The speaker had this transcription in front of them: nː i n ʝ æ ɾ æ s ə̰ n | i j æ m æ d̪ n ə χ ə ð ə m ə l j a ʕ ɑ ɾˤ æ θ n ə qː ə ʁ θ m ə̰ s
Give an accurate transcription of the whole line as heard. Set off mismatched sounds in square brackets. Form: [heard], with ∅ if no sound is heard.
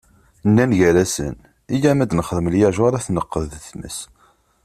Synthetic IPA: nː [æ] n ʝ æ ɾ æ s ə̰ n | i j æ m æ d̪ n ə χ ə ð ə m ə l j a [ʒ] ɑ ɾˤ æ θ n ə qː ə [ð] θ m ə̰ s